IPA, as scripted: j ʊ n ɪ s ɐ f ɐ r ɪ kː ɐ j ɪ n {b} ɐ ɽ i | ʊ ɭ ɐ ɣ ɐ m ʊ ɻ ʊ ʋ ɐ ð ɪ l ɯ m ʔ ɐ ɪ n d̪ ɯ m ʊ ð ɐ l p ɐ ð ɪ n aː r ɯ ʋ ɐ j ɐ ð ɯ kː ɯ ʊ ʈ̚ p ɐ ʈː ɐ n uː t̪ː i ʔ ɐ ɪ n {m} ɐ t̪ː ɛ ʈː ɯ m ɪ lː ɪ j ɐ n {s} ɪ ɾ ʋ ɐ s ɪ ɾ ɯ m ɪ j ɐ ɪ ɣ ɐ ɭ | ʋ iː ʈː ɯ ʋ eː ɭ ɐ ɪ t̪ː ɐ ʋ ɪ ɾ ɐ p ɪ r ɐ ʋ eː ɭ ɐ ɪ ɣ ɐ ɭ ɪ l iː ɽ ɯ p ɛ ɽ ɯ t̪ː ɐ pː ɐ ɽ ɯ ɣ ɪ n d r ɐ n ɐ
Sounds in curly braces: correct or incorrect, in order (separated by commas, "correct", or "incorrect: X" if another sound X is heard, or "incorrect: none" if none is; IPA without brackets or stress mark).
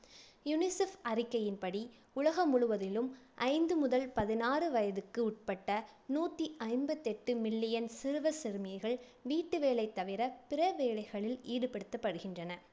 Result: incorrect: p, incorrect: b, correct